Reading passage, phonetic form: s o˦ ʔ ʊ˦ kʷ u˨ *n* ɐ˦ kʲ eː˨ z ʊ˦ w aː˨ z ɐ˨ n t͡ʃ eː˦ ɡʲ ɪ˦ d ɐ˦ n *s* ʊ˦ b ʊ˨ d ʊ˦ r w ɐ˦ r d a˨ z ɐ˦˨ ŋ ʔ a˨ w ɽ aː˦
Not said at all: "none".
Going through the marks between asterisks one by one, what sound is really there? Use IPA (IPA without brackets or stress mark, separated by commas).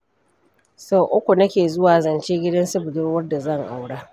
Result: n, s